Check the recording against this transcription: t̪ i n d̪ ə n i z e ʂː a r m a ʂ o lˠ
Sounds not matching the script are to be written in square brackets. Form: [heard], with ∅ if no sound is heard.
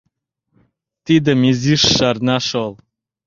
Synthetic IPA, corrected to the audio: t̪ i [∅] d̪ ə [m] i z [i] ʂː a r [n] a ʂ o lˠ